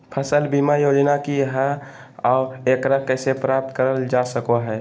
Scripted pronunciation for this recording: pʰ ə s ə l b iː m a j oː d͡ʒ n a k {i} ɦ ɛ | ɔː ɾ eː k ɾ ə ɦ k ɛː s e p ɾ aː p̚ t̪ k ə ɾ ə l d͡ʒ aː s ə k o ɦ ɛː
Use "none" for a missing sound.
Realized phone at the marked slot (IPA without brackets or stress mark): i